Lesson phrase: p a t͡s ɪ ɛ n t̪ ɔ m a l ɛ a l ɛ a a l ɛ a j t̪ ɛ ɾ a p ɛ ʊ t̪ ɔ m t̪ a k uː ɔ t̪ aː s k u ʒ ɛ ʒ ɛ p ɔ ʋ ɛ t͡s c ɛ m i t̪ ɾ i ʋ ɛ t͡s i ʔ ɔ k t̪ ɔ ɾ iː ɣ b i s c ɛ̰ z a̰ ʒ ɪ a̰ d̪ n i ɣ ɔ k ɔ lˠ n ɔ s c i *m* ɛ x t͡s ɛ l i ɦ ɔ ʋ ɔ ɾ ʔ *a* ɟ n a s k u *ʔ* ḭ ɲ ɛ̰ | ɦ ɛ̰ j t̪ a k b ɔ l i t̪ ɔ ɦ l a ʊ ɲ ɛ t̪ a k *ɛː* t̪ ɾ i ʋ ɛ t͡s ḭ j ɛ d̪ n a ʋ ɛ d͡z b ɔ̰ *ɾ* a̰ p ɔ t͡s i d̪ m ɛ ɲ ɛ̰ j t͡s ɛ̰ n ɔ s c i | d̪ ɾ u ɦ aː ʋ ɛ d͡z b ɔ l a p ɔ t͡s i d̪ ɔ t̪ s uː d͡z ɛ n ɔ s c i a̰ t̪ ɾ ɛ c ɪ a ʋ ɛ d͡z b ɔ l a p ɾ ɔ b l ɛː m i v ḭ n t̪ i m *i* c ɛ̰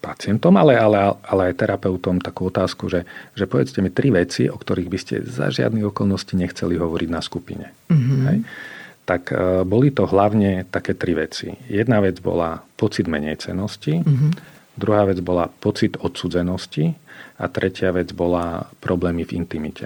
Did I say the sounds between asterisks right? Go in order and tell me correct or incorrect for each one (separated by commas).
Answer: incorrect, incorrect, incorrect, correct, incorrect, correct